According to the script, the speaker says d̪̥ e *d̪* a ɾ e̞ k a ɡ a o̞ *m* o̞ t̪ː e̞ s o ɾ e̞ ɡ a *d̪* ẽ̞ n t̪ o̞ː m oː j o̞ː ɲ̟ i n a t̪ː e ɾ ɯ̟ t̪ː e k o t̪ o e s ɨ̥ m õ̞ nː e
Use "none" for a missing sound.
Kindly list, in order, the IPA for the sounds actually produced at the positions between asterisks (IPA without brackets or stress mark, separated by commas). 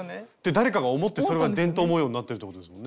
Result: d̪, m, d̪